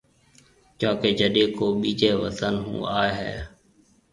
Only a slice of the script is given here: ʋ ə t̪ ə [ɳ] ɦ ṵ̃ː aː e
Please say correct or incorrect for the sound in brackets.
incorrect: n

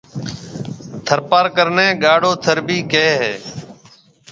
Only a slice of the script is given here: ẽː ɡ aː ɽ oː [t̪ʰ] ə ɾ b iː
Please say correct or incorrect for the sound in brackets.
correct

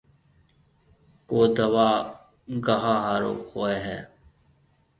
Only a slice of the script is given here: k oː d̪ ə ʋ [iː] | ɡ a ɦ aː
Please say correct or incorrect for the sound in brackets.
incorrect: aː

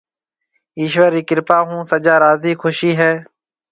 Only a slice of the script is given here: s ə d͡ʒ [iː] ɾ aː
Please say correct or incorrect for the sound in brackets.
incorrect: aː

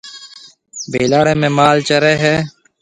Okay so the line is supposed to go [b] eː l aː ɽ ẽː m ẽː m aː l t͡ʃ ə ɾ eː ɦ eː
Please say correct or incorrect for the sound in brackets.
correct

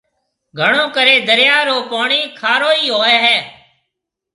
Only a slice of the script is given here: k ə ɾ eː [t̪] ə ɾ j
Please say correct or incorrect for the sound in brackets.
incorrect: d̪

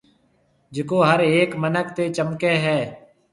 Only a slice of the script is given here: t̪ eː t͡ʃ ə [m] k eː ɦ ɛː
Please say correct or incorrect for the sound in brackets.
correct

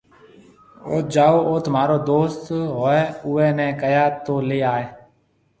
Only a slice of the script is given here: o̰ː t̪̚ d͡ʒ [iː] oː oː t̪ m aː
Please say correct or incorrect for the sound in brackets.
incorrect: aː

